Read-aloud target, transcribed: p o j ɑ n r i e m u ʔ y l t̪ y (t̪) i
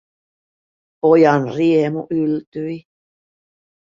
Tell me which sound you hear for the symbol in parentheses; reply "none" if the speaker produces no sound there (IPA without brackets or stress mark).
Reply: none